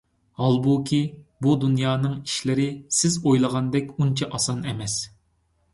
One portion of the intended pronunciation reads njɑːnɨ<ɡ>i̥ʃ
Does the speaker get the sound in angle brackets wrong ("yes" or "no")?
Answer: yes